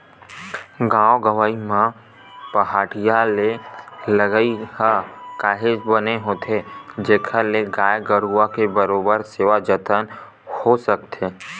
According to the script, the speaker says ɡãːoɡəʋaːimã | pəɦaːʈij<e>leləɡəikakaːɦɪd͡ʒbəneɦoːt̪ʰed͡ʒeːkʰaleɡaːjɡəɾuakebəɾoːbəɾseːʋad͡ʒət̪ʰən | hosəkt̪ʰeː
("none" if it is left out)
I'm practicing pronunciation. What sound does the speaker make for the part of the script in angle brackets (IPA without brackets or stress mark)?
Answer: a